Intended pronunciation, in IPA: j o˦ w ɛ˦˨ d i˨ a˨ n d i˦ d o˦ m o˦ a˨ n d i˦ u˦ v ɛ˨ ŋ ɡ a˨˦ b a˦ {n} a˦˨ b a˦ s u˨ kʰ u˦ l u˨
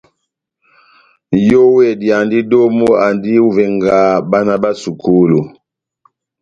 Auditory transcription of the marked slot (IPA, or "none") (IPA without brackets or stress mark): n